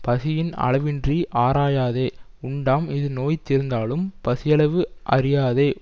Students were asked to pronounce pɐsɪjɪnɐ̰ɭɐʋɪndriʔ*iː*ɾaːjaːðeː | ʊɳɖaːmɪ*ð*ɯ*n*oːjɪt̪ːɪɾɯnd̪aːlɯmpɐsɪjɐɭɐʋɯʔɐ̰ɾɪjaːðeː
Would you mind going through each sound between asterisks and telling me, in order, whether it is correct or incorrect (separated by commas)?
incorrect, correct, correct